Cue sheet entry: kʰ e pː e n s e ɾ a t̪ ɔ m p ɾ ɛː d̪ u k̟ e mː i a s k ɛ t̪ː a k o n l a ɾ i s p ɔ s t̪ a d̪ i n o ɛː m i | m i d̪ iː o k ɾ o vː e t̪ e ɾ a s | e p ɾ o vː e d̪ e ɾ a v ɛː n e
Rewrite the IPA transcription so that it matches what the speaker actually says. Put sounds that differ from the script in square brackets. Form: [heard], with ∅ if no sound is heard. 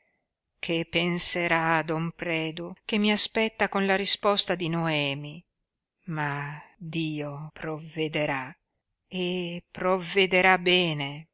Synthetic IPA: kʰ e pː e n s e ɾ a [d̪] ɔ m p ɾ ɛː d̪ u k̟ e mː i a s [p] ɛ t̪ː a k o n l a ɾ i s p ɔ s t̪ a d̪ i n o ɛː m i | m [a] d̪ iː o [p] ɾ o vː e [d̪] e ɾ a [∅] | e p ɾ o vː e d̪ e ɾ a [b] ɛː n e